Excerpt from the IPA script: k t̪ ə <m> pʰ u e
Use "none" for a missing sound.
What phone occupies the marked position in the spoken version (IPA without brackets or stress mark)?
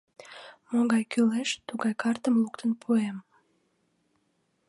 n